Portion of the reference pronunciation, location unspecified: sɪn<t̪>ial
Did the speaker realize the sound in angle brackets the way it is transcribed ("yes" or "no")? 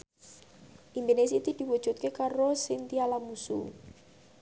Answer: yes